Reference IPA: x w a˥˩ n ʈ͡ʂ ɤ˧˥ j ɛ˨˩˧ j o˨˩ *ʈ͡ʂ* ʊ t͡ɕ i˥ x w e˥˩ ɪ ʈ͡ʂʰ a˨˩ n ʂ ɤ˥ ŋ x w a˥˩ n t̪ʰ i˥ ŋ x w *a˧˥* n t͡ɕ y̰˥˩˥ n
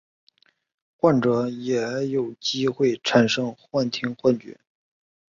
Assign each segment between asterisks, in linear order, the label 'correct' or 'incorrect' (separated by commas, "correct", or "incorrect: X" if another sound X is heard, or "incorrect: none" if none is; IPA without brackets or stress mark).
incorrect: none, incorrect: a˥˧